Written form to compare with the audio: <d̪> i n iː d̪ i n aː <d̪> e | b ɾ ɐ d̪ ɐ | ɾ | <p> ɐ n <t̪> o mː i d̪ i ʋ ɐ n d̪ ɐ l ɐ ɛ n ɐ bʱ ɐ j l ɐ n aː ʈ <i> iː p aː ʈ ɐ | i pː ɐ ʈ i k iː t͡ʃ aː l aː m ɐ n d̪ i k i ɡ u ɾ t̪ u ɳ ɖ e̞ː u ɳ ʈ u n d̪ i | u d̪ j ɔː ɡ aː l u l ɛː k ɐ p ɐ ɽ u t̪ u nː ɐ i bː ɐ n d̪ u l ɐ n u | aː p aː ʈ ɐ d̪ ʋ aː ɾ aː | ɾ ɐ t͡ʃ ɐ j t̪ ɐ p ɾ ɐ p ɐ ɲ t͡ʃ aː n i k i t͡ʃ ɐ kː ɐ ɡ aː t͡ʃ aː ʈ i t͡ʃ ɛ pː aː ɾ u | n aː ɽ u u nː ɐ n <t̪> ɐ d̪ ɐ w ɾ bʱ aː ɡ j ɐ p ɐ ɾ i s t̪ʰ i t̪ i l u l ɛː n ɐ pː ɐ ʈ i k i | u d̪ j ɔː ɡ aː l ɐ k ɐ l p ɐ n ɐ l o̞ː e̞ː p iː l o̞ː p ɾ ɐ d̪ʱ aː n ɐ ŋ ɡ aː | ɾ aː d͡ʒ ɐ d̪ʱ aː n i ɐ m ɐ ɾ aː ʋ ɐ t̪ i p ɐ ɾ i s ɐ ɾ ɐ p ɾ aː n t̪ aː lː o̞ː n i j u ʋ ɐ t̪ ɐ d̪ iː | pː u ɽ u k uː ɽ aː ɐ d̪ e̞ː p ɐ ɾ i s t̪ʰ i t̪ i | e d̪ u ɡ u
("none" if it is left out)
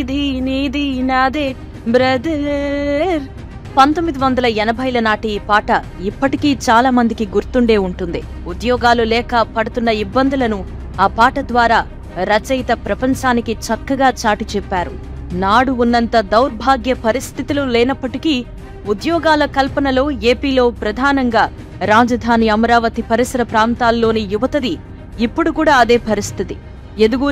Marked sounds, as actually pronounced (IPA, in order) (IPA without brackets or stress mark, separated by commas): d̪, d̪, p, t̪, i, t̪